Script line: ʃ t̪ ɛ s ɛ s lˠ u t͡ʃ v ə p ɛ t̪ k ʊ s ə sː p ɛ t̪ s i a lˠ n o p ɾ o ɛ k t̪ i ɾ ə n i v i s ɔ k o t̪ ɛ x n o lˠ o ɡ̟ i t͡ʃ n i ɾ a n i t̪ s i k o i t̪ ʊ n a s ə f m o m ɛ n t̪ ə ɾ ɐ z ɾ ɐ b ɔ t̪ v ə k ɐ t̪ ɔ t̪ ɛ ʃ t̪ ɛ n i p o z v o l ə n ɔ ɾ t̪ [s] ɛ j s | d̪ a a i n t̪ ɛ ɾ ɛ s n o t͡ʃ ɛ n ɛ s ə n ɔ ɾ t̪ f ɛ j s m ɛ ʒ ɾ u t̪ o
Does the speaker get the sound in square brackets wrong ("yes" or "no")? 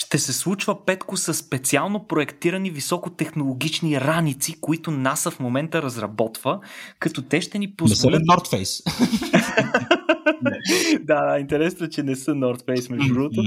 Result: yes